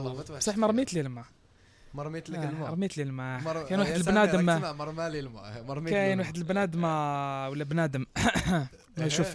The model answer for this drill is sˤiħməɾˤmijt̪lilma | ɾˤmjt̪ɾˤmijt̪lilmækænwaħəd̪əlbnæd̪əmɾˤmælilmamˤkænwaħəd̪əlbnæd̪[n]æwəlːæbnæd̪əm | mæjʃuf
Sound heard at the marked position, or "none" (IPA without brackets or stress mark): m